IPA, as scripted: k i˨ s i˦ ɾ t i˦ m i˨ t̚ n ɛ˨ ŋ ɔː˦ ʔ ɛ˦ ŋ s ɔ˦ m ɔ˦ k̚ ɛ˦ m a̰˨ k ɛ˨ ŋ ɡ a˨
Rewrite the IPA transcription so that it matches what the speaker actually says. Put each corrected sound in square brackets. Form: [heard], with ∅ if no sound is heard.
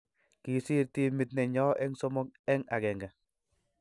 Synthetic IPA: k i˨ s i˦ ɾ t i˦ m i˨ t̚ n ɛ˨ [ɲ] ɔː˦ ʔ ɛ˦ ŋ s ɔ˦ m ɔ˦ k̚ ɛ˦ [ŋ] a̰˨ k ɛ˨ ŋ ɡ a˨